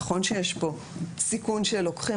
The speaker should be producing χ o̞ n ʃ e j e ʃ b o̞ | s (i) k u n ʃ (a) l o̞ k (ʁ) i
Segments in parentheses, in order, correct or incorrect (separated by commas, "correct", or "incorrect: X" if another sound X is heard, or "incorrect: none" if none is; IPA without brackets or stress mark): correct, incorrect: e, incorrect: χ